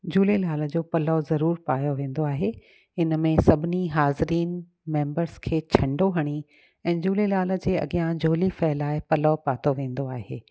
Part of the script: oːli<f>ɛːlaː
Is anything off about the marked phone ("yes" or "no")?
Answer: no